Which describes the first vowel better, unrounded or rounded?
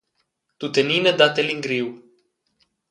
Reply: rounded